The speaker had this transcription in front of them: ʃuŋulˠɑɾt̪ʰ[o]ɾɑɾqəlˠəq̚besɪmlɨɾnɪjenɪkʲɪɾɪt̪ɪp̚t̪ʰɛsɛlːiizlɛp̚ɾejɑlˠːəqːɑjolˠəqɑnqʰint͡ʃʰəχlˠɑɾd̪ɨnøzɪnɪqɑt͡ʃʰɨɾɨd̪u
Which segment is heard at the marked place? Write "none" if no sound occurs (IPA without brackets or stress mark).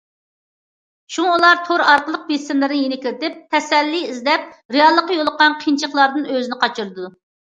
o